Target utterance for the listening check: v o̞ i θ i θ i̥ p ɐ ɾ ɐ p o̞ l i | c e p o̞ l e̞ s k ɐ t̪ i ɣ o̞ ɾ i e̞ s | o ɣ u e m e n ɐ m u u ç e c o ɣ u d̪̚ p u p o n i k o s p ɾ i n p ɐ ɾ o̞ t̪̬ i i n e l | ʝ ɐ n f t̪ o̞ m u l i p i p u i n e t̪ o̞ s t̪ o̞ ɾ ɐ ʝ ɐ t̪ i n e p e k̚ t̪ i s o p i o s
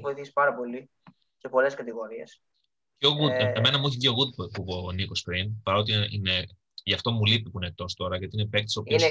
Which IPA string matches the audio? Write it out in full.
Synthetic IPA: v o̞ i θ i s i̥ p ɐ ɾ ɐ p o̞ l i | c e p o̞ l e̞ s k ɐ t̪ i ɣ o̞ ɾ i e̞ s | o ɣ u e m e n ɐ m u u ç i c o ɣ u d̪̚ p u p o n i k o s p ɾ i n p ɐ ɾ o̞ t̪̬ i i n e | ʝ ɐ f t̪ o̞ m u l i p i p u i n e t̪ o̞ s t̪ o̞ ɾ ɐ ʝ ɐ t̪ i n e p e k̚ t̪ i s o p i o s